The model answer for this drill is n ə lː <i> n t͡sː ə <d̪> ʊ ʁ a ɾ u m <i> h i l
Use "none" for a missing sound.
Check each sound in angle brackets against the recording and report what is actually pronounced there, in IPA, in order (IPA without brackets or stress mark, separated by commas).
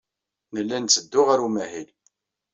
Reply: æ, d̪ː, æ